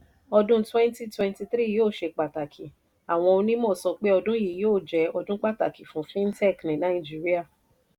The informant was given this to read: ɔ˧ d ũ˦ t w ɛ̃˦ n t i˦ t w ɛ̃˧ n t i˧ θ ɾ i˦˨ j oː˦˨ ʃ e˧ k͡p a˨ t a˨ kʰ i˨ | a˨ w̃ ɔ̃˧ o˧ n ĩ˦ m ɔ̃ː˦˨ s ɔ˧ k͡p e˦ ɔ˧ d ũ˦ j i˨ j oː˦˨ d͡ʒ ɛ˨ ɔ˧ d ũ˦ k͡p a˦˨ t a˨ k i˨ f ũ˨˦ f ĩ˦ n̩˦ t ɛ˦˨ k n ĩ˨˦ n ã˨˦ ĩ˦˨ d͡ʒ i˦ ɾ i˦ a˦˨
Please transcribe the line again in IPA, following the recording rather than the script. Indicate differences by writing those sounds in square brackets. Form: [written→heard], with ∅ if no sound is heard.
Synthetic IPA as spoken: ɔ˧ d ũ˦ t w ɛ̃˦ n t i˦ t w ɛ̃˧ n t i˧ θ ɾ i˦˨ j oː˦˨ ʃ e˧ k͡p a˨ t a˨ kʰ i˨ | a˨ w̃ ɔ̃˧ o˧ n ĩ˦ m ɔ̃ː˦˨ s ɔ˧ k͡p e˦ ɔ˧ d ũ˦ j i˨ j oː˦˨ d͡ʒ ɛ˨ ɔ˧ d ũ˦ k͡p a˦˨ t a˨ k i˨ f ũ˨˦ f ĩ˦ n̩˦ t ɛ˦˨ k n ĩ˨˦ n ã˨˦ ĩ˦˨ d͡ʒ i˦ ɾ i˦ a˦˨